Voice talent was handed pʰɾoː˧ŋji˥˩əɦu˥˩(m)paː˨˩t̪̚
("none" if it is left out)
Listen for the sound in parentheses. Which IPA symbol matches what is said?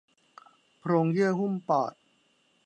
m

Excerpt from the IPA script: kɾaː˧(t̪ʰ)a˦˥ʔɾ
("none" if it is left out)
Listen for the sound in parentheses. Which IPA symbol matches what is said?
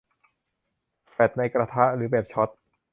t̪ʰ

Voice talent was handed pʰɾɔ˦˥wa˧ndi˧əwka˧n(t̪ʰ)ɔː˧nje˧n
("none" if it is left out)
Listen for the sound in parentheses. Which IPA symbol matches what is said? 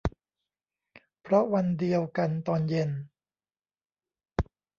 t̪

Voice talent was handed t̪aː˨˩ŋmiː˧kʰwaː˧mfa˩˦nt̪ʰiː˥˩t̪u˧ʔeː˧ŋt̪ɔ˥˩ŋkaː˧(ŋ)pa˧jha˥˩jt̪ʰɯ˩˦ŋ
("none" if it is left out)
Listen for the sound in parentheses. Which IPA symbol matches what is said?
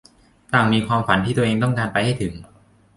n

